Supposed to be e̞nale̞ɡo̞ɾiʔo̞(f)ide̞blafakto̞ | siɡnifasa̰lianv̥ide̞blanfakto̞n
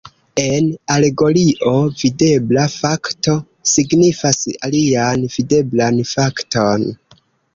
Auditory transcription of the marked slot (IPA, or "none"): v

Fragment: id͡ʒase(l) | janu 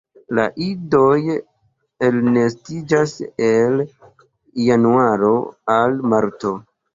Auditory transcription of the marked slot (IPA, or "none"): l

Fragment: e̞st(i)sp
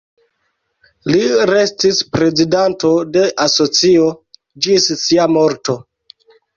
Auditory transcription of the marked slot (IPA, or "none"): i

